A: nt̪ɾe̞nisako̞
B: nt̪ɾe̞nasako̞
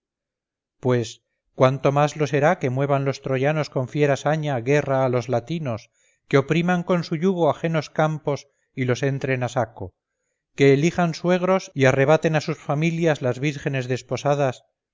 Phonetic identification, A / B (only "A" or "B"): B